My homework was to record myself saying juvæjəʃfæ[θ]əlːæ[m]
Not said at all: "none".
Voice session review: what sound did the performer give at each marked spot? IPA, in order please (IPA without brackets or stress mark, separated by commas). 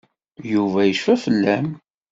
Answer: f, m